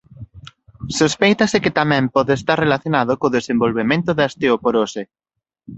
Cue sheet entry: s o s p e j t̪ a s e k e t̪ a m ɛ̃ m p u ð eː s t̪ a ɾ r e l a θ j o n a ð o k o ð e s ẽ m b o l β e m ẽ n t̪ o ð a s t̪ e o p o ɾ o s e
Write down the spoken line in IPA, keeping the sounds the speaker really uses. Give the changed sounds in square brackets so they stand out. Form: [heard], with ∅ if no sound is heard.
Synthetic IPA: s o s p e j t̪ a s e k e t̪ a m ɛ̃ m p [ɔ] ð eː s t̪ a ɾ r e l a θ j o n a ð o k o ð e s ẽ m b o l β e m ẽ n t̪ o ð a s t̪ e o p o ɾ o s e